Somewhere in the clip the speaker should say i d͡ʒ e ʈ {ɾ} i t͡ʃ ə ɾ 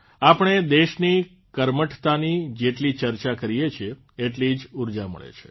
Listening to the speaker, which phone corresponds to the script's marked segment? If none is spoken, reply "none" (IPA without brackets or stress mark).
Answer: l